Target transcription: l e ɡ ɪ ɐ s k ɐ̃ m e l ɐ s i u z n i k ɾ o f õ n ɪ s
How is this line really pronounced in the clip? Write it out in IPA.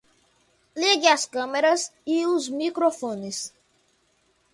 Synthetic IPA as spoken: l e ɡ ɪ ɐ s k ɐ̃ m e ɾ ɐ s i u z m i k ɾ o f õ n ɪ s